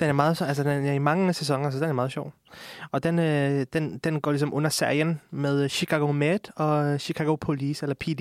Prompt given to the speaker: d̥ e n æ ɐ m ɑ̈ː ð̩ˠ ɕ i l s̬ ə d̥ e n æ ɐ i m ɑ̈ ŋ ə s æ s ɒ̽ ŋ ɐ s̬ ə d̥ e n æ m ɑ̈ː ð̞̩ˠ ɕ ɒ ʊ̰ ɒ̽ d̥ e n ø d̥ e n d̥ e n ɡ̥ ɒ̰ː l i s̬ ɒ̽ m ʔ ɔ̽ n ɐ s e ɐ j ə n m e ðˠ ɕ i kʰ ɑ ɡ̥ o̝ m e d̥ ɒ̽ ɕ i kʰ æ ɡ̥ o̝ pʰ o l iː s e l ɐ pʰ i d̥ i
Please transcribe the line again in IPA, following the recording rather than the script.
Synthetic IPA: d̥ e n æ ɐ m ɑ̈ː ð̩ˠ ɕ æ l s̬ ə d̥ e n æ ɐ i m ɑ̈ ŋ ə s e s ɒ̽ ŋ ɐ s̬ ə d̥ e n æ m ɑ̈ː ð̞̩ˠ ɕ ɒ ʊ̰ ɒ̽ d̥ e n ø d̥ e n d̥ e n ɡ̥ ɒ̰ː l i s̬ ɒ̽ m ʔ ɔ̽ n ɐ s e ɐ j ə n m e ðˠ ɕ i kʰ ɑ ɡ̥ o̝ m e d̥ ɒ̽ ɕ i kʰ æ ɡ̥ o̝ pʰ o l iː s e l ɐ pʰ i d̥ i